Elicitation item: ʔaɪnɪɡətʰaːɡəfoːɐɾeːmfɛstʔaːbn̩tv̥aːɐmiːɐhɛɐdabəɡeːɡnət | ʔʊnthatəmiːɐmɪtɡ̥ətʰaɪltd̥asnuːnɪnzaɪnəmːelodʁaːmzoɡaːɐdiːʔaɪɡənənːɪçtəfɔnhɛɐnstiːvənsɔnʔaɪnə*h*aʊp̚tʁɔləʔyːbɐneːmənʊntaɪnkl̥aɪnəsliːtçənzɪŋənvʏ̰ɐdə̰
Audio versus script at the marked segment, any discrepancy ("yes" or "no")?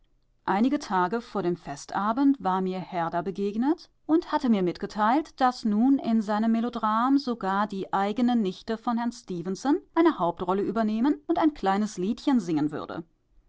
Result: no